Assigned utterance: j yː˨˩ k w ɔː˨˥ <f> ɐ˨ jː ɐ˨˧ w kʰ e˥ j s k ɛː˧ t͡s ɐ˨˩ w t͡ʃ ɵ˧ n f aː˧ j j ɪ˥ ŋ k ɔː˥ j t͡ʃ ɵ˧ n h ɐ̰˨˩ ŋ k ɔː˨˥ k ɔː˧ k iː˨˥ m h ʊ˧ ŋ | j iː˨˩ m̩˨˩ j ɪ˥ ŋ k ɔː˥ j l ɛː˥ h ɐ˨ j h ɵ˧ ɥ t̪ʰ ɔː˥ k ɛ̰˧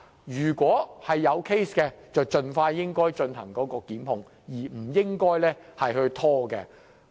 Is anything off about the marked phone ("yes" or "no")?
yes